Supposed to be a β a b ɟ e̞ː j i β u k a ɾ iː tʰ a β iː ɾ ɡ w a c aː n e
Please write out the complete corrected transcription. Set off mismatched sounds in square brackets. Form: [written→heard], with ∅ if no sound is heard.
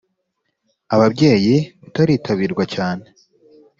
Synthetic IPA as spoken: a β a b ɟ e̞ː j i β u [k→t] a ɾ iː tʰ a β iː ɾ ɡ w a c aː n e